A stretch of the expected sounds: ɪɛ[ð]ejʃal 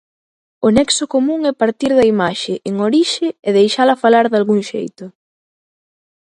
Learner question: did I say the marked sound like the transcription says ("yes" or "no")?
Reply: yes